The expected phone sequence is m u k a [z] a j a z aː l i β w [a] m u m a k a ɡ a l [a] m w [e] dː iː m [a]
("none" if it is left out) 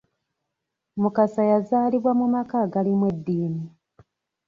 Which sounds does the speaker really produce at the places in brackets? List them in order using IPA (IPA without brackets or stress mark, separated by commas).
s, a, i, e, i